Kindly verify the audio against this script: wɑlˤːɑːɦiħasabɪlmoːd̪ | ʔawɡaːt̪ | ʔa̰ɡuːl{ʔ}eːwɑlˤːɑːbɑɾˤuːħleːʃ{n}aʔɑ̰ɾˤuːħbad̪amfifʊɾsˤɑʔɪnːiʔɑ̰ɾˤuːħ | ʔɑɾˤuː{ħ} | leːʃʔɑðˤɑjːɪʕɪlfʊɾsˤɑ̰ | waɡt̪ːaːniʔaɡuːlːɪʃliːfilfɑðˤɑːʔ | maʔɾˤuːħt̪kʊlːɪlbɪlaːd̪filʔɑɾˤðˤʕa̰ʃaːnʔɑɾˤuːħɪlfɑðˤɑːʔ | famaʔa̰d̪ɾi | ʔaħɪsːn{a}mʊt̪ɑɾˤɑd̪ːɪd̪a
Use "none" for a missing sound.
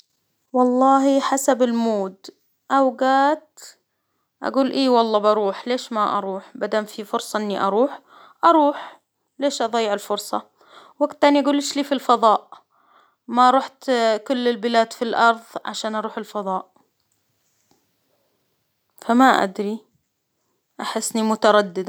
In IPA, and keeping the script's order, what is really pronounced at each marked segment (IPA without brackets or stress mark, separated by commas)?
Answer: ʔ, m, ħ, i